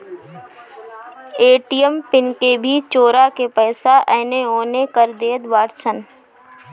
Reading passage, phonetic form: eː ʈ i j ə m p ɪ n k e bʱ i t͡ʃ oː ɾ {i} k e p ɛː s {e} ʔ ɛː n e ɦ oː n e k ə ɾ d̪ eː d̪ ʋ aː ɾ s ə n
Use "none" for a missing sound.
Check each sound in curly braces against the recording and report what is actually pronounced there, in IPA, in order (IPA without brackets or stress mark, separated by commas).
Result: a, a